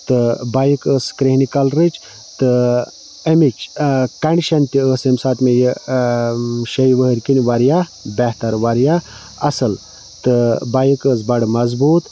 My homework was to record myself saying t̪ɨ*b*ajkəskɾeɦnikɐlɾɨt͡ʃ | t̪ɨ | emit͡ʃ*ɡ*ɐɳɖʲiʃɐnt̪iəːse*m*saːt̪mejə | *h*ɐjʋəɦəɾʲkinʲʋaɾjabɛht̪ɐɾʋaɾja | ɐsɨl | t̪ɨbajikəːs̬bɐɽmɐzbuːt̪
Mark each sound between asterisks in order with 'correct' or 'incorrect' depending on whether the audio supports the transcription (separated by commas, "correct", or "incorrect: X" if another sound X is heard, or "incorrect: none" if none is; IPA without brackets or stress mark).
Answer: correct, incorrect: k, correct, incorrect: ʃ